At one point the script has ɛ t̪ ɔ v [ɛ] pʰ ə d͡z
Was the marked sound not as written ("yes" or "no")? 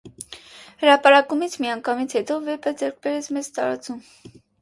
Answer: no